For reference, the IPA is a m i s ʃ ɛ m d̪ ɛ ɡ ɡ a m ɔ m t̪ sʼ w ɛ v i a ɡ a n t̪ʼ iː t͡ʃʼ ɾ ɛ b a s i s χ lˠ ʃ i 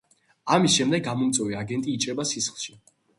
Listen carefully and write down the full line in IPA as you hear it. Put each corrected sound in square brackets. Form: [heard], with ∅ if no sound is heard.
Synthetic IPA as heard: a m i s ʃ ɛ m d̪ ɛ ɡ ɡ a m ɔ m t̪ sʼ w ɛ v i a ɡ [ɛ] n t̪ʼ iː t͡ʃʼ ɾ ɛ b a s i s χ lˠ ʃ i